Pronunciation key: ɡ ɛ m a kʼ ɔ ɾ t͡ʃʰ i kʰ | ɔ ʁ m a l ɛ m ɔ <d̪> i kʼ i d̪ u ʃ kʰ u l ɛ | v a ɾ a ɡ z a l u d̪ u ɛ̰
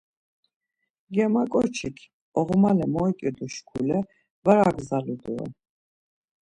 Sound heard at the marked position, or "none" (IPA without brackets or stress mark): none